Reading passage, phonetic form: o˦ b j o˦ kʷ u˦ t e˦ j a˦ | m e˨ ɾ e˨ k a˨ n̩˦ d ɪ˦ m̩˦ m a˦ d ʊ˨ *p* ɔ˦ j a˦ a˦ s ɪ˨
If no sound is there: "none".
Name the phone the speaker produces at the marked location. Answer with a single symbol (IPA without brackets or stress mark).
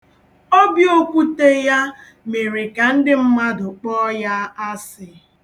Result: k͡p